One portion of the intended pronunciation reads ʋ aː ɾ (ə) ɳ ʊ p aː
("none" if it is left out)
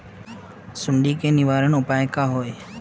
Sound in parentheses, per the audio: ə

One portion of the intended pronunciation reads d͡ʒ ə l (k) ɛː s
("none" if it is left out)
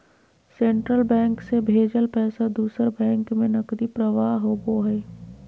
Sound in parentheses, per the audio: p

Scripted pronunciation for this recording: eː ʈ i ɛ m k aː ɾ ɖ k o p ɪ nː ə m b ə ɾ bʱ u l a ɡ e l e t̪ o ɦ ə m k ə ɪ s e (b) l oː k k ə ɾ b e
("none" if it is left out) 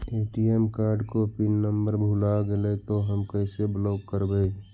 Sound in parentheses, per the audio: b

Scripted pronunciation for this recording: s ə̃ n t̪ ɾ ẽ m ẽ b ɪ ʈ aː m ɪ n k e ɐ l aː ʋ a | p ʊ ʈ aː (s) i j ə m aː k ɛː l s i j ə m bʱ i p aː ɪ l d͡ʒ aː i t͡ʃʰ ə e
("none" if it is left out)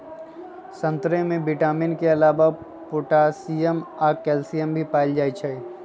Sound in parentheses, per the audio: s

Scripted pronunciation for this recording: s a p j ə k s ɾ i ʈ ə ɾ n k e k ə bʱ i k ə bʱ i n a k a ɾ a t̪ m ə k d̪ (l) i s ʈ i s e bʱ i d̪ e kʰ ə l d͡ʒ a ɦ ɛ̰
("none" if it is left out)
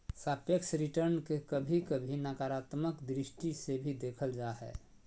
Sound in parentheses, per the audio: ɾ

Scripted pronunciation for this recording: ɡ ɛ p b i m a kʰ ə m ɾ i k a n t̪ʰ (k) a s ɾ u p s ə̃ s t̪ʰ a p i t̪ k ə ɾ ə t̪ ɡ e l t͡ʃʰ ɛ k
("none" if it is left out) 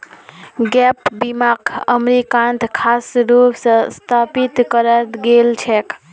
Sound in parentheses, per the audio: kʰ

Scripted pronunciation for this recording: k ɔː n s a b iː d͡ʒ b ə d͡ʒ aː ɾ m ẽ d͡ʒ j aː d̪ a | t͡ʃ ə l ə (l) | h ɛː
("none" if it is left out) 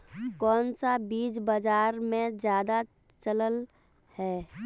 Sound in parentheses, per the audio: l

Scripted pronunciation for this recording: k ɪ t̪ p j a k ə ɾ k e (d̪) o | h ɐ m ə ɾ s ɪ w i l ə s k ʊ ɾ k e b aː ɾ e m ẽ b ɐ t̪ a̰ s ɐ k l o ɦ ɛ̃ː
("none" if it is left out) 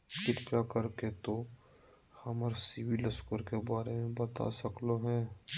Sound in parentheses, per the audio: t̪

